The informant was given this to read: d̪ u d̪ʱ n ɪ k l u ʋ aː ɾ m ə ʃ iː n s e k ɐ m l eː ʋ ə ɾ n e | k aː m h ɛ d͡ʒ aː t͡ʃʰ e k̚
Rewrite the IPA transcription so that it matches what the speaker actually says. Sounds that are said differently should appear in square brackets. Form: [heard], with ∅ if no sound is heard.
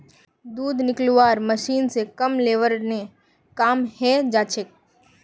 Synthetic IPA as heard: d̪ [uː] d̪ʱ n ɪ k l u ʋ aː ɾ m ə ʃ iː n s e k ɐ m l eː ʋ ə ɾ n e | k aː m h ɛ d͡ʒ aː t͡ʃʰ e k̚